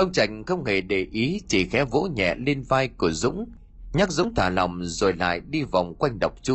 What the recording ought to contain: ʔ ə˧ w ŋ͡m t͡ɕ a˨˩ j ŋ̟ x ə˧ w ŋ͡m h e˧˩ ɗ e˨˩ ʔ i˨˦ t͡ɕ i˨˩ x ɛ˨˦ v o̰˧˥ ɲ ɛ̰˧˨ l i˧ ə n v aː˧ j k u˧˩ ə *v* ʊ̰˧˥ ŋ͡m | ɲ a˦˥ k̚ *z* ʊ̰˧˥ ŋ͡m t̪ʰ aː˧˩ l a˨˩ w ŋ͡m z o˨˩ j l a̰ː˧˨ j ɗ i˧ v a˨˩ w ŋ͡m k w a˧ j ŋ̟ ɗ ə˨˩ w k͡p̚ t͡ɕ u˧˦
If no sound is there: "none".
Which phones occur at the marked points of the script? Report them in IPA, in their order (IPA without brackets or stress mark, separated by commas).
z, z